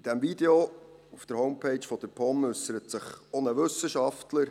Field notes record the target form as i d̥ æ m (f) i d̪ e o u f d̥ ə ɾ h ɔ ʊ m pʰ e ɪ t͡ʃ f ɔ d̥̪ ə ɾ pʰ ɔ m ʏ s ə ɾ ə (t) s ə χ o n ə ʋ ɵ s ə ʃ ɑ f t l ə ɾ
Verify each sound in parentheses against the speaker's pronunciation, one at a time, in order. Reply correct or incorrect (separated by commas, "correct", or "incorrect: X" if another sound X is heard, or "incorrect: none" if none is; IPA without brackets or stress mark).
incorrect: v, correct